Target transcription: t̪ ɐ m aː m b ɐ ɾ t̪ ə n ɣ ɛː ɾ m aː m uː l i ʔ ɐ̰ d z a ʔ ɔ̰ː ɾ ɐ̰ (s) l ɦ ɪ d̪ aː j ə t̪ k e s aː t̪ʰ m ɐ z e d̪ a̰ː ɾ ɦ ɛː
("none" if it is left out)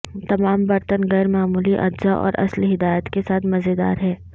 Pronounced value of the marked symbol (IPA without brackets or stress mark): s